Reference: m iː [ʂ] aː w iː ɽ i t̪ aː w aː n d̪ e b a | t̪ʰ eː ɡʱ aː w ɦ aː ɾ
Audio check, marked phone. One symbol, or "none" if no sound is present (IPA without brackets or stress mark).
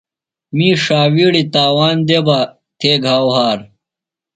ʂ